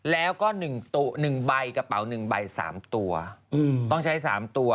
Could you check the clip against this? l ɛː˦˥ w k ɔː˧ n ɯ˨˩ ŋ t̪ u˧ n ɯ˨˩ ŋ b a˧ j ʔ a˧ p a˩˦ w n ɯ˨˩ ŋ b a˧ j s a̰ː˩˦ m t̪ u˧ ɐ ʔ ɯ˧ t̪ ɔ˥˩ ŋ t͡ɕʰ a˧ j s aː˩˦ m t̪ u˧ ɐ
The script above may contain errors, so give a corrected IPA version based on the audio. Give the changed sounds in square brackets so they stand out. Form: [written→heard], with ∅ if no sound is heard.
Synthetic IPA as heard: l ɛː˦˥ w k [ɔː˧→ɔː˥˩] n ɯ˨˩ ŋ t̪ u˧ n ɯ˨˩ ŋ b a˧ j [ʔ→k] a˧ p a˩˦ w n ɯ˨˩ ŋ b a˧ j s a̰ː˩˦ m t̪ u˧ ɐ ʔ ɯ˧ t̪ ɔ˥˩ ŋ t͡ɕʰ [a˧→a˦˥] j s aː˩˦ m t̪ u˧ ɐ